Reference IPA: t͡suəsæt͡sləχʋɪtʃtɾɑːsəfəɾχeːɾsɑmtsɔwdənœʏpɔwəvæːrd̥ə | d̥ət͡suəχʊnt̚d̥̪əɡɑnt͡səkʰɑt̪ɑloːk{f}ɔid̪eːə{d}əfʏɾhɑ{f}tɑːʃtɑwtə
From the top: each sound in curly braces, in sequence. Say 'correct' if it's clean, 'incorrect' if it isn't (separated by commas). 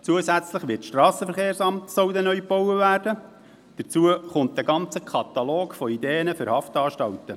correct, incorrect, correct